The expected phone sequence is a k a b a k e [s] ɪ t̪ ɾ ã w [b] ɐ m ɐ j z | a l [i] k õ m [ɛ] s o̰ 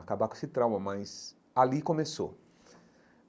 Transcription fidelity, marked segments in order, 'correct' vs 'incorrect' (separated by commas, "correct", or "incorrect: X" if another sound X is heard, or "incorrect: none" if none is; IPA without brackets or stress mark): correct, incorrect: m, correct, incorrect: e